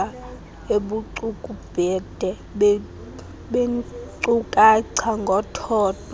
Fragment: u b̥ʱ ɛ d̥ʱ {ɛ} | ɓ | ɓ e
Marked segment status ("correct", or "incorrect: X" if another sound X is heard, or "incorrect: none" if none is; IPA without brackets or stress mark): correct